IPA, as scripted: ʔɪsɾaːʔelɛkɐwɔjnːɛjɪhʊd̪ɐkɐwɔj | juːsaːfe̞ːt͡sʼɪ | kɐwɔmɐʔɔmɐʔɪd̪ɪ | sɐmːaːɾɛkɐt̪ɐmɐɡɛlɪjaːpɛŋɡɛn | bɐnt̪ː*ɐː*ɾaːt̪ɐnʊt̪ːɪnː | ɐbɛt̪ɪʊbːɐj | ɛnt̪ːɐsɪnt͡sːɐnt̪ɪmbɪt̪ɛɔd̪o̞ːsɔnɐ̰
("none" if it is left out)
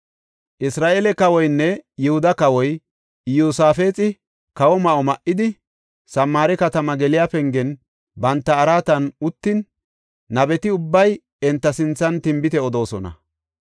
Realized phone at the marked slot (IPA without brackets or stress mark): ɐː